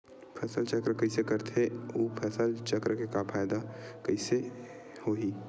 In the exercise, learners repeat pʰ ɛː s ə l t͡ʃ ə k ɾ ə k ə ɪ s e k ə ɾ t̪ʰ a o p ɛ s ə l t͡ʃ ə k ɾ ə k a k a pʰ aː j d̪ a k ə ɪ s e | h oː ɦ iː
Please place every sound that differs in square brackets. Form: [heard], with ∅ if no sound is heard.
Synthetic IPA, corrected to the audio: pʰ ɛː s ə l t͡ʃ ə k ɾ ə k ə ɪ s e k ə ɾ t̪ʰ [e] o [pʰ] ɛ s ə l t͡ʃ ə k ɾ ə k [e] k a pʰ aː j d̪ a k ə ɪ s e | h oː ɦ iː